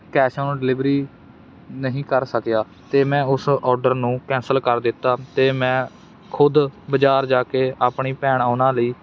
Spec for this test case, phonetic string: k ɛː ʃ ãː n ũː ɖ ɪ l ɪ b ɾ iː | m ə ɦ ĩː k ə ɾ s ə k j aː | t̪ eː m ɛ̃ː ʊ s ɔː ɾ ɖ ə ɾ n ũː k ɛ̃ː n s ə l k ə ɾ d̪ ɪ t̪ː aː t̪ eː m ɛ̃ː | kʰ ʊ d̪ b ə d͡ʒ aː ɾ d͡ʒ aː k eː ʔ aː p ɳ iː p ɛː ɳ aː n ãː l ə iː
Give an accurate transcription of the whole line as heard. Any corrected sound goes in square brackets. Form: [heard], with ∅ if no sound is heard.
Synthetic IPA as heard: k ɛː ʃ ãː n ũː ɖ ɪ l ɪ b ɾ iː | [n] ə ɦ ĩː k ə ɾ s ə k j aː | t̪ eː m ɛ̃ː ʊ s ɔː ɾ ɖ ə ɾ n ũː k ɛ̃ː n s ə l k ə ɾ d̪ ɪ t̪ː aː t̪ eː m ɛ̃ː | kʰ ʊ d̪ b ə d͡ʒ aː ɾ d͡ʒ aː k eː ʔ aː p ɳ iː p ɛː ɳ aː n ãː l ə iː

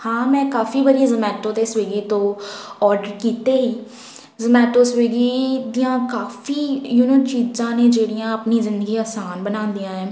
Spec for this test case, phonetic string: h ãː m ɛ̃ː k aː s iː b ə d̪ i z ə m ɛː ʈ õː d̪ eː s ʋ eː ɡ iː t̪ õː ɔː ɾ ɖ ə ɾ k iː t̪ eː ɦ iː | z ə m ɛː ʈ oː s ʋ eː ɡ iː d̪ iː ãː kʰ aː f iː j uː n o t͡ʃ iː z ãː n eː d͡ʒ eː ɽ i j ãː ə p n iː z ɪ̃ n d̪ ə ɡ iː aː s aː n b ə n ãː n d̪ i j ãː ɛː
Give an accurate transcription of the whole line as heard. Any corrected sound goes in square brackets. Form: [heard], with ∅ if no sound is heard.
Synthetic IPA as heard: h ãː m ɛ̃ː k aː [f] iː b ə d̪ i z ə m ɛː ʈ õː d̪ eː s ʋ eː ɡ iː t̪ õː ɔː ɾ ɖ ə ɾ k iː t̪ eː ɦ iː | z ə m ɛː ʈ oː s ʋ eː ɡ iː d̪ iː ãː [k] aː f iː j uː n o t͡ʃ iː z ãː n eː d͡ʒ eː ɽ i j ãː ə p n iː z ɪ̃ n d̪ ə ɡ iː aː s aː n b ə n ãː n d̪ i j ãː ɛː

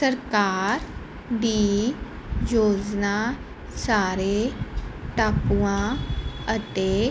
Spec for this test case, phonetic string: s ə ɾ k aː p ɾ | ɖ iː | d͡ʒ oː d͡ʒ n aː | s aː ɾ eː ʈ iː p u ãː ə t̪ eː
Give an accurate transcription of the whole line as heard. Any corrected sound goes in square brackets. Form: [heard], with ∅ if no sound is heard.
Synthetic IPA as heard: s ə ɾ k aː [∅] ɾ | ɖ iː | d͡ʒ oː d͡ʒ n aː | s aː ɾ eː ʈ [aː] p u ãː ə t̪ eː

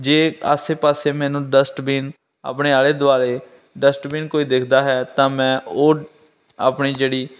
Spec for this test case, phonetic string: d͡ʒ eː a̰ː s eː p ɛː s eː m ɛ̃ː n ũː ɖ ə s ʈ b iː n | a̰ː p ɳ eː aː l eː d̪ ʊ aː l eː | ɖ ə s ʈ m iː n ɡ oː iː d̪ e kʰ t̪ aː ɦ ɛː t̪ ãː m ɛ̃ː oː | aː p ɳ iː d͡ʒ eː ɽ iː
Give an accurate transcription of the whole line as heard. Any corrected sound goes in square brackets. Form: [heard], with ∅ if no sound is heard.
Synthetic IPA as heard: d͡ʒ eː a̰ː s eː p [aː] s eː m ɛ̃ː n ũː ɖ ə s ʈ b iː n | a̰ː p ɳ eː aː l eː d̪ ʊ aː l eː | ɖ ə s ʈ [b] iː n [k] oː iː d̪ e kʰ [d̪] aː ɦ ɛː t̪ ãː m ɛ̃ː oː | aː p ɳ iː d͡ʒ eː ɽ iː

